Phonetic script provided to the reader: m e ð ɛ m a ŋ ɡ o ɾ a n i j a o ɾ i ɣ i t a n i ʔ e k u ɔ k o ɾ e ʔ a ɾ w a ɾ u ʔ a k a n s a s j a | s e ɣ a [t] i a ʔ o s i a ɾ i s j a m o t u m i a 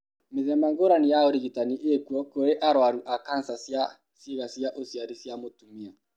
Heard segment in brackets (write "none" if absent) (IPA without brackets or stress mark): s